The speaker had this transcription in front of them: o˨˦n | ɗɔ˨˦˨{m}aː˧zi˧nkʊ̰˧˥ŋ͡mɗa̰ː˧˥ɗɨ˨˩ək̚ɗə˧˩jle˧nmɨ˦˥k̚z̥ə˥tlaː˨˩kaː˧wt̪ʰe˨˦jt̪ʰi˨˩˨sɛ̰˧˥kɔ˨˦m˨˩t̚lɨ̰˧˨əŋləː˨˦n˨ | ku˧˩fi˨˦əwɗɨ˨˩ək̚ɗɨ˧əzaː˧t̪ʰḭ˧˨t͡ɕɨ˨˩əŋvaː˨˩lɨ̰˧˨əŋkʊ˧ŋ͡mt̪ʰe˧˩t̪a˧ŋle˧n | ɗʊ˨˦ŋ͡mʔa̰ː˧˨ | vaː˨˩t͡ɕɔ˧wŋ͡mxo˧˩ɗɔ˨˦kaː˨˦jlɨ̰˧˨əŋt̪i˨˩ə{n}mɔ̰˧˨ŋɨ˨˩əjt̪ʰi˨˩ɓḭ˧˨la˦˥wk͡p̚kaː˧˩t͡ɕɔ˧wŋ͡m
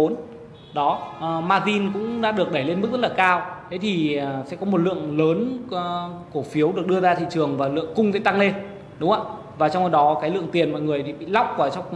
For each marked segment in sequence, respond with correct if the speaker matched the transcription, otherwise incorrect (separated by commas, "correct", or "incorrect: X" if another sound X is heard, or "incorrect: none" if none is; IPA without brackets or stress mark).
correct, correct